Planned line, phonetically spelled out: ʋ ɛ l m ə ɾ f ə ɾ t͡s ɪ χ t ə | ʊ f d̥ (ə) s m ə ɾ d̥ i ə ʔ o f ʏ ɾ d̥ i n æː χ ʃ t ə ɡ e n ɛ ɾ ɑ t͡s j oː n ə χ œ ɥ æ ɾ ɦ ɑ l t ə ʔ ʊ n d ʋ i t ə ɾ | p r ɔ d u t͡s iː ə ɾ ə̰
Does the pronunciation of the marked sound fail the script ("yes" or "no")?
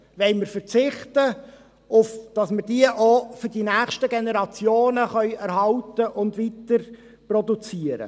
yes